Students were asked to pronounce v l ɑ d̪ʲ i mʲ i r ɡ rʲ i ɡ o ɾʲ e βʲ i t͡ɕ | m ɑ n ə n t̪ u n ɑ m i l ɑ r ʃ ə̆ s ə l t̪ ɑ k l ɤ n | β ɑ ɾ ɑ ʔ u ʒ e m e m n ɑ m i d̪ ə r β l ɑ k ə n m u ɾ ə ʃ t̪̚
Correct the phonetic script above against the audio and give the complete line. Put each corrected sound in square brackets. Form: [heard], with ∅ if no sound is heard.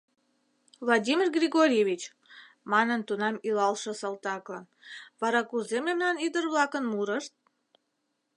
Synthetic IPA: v l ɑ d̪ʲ i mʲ i r ɡ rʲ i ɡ o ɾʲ e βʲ i t͡ɕ | m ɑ n ə n t̪ u n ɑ m i l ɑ [l] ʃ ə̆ s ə l t̪ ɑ k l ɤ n | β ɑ ɾ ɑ [k] u [z] e m e m n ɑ [n] i d̪ ə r β l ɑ k ə n m u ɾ ə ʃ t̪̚